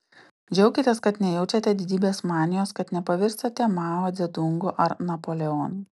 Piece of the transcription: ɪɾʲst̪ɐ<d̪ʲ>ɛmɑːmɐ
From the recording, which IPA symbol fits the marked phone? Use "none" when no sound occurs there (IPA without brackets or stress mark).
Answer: t̪ʲ